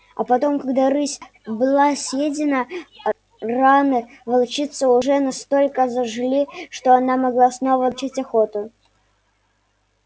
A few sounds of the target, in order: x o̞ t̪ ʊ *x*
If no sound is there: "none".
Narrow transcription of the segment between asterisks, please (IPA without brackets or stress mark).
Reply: none